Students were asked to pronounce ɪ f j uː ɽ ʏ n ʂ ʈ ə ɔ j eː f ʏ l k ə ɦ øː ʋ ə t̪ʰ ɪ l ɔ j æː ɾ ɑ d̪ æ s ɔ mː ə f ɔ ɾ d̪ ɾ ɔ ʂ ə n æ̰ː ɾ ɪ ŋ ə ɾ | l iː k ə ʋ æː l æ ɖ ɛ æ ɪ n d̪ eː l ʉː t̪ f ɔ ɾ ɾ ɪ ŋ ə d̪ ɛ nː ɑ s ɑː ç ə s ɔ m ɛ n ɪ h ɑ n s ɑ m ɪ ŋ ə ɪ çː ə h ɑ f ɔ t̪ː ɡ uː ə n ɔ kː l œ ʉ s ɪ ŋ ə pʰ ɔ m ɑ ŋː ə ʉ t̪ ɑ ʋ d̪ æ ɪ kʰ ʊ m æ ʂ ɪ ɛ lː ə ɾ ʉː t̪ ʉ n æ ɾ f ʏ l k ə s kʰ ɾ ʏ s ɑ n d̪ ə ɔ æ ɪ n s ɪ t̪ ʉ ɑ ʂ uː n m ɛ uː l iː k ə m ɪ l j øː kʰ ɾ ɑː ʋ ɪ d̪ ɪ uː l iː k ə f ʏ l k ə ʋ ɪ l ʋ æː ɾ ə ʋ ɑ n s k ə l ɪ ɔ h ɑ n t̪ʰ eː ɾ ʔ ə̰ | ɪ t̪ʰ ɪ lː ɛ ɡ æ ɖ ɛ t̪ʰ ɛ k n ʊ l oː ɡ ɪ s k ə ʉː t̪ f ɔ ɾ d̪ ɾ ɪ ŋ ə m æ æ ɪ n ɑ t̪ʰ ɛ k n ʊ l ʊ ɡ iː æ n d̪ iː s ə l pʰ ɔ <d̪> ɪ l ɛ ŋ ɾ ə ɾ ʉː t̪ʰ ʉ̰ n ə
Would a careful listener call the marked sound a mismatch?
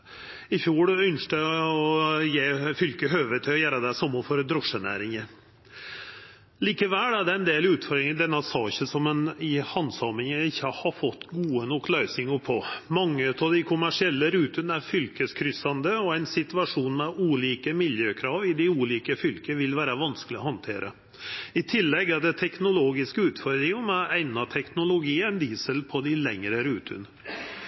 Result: no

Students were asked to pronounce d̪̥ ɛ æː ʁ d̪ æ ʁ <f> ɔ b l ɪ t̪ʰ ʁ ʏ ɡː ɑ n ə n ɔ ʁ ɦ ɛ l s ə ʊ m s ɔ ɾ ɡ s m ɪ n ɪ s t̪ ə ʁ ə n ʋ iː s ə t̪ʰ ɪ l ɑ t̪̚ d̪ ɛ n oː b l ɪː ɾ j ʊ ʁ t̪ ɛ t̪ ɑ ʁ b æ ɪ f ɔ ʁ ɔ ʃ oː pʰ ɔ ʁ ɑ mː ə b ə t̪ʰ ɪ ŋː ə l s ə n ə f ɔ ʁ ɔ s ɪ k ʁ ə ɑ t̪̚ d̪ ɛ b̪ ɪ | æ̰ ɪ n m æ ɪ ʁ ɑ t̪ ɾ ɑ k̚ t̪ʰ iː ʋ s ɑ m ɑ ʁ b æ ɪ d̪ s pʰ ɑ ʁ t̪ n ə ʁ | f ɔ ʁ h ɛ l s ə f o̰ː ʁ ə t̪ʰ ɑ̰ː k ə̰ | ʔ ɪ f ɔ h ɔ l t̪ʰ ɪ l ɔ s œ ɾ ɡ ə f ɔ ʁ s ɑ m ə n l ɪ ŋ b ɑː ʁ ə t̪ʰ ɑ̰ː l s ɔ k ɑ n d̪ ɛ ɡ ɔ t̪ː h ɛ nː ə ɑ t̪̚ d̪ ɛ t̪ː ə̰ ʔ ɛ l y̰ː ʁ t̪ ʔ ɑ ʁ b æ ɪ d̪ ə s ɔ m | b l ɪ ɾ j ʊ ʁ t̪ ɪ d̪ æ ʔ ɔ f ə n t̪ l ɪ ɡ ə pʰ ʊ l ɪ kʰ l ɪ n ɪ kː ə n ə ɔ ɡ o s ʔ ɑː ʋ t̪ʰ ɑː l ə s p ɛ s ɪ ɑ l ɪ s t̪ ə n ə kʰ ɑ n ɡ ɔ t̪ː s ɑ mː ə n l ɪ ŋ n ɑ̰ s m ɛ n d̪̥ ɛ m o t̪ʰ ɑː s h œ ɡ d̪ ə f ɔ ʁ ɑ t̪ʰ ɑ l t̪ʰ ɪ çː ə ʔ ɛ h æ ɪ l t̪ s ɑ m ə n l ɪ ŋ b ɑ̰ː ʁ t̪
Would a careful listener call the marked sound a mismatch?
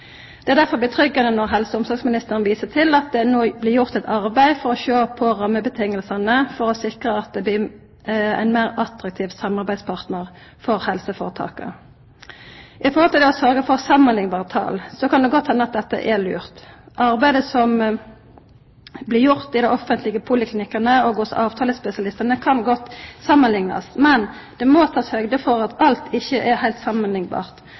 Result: no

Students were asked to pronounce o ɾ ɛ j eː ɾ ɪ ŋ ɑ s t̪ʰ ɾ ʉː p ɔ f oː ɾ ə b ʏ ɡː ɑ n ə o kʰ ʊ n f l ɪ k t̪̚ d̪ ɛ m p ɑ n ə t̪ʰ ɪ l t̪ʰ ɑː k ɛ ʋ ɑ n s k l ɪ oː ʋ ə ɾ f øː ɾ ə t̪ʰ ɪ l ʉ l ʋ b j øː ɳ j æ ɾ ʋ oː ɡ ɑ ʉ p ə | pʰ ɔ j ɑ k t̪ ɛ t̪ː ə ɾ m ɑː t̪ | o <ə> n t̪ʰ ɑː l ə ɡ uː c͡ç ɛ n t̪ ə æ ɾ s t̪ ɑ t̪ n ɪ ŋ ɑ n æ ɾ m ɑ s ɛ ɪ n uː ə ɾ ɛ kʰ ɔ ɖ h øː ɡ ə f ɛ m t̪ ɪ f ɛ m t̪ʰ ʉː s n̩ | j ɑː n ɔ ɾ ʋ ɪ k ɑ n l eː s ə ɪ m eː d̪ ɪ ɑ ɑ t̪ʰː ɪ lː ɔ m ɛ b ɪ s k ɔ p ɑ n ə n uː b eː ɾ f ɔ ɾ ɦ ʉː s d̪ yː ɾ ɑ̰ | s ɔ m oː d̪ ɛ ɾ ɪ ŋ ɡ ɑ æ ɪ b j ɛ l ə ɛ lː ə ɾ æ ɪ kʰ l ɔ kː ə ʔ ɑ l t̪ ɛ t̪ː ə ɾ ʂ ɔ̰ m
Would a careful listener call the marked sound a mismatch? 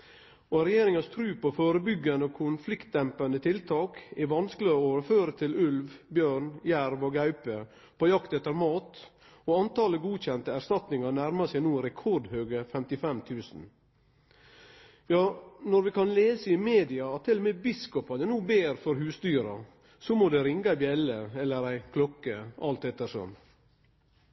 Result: yes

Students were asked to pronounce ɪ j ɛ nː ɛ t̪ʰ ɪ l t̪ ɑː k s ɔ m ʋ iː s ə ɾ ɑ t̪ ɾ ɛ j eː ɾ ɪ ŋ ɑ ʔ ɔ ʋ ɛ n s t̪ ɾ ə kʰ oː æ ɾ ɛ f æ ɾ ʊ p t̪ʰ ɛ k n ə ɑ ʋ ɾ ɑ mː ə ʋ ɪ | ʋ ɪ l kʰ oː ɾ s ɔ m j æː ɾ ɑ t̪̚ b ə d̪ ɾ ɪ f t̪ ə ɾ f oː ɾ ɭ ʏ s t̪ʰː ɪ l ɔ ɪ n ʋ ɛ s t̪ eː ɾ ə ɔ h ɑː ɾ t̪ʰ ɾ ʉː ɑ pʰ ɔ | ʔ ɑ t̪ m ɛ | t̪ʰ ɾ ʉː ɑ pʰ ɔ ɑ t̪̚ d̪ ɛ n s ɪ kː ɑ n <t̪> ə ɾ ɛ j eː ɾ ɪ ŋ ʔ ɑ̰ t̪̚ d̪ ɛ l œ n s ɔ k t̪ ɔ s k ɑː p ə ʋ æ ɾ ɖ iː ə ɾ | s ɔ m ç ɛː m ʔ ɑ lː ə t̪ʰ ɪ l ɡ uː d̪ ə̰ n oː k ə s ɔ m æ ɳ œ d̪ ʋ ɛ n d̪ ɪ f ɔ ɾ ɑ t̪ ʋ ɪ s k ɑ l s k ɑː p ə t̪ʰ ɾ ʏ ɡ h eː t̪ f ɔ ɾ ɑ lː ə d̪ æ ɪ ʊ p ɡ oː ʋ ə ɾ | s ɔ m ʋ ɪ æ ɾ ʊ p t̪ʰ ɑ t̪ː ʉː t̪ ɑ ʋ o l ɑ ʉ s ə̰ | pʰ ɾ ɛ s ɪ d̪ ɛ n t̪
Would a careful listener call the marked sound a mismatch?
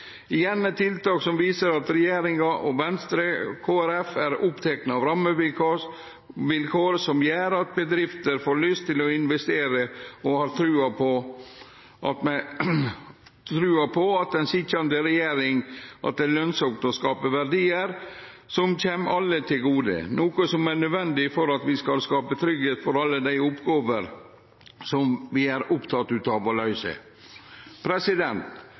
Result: yes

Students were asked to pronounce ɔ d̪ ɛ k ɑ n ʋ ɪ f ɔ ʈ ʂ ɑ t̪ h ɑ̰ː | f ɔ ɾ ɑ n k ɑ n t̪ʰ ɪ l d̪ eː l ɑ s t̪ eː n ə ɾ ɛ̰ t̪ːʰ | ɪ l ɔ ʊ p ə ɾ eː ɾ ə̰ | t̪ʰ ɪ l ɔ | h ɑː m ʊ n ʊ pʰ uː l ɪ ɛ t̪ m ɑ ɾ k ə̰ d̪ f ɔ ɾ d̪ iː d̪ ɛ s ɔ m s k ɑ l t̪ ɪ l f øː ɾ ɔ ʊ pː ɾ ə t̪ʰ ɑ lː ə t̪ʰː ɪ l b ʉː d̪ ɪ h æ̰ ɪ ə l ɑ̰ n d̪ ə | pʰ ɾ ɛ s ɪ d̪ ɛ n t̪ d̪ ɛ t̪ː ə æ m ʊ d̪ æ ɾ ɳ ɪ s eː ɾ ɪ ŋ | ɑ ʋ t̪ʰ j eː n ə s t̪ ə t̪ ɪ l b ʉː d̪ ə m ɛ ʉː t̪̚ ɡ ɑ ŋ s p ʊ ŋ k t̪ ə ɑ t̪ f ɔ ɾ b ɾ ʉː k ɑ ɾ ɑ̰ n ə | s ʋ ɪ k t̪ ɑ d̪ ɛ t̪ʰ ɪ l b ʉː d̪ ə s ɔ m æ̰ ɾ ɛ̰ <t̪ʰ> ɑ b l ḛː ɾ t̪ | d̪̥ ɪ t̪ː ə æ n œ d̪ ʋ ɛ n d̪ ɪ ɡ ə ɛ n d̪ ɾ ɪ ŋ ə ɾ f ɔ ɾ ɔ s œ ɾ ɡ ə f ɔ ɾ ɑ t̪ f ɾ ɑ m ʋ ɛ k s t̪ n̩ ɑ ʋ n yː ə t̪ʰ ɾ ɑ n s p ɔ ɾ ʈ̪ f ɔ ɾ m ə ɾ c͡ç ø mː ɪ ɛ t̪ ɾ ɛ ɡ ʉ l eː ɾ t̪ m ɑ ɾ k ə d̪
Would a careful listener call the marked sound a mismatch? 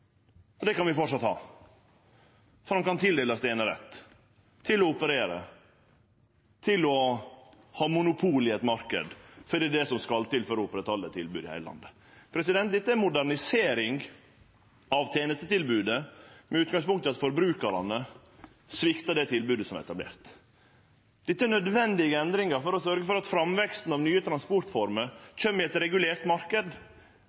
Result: yes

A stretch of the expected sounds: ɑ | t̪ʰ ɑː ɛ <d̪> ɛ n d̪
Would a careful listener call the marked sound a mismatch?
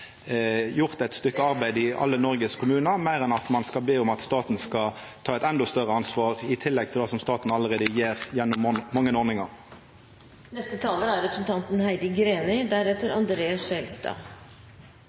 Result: yes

